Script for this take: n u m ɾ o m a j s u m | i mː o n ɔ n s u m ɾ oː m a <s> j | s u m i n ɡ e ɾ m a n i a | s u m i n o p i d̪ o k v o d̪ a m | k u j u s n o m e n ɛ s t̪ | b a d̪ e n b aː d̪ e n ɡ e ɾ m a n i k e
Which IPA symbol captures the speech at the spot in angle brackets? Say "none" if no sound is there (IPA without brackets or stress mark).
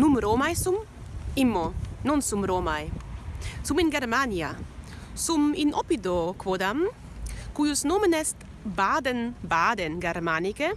none